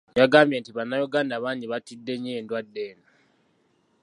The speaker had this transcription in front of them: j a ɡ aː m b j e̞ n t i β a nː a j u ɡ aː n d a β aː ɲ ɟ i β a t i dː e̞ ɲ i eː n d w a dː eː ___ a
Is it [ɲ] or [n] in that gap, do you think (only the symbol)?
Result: n